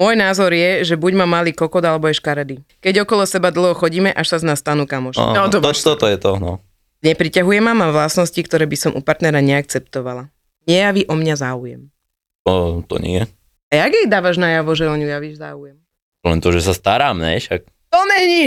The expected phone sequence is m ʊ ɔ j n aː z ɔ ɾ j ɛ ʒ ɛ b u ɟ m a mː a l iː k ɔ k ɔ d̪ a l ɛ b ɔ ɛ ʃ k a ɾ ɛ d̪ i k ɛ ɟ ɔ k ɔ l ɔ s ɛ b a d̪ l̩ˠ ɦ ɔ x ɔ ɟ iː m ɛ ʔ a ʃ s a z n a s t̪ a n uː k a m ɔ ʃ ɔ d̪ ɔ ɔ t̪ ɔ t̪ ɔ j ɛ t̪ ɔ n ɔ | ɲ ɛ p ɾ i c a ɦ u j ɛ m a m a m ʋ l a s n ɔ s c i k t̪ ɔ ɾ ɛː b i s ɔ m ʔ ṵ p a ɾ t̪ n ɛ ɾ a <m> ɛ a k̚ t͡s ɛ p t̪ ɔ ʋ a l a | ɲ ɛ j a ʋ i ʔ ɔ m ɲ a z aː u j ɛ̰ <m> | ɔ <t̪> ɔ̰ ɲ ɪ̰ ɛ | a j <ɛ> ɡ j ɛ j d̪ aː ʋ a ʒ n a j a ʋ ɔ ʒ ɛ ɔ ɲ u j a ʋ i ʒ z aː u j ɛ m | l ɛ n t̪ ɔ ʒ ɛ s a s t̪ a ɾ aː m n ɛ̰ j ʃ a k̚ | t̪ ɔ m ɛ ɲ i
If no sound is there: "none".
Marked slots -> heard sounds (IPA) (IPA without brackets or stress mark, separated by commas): ɲ, m, t̪, a